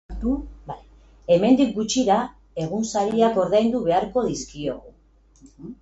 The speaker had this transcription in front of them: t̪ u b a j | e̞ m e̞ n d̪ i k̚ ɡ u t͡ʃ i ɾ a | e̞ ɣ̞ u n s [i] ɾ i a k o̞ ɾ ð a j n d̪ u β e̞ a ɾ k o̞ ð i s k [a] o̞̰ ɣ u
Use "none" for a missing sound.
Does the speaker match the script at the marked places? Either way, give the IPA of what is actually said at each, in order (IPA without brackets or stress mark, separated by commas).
a, i